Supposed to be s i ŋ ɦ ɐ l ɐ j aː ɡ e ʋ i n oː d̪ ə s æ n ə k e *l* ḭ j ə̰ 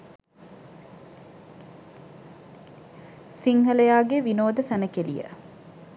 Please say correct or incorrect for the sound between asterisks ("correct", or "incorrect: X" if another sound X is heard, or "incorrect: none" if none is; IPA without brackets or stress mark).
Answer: correct